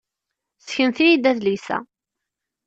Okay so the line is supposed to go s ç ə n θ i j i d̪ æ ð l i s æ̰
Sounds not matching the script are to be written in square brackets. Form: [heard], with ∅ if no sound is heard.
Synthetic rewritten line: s ç ə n θ i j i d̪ æ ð l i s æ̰